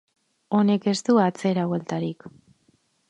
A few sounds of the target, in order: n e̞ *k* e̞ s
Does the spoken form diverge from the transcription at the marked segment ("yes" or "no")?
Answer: no